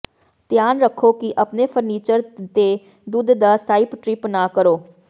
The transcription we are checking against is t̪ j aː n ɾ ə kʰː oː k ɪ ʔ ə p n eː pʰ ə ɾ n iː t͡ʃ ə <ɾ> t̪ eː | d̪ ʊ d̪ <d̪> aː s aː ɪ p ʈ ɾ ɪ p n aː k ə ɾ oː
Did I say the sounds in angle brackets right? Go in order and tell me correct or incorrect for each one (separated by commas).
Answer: correct, correct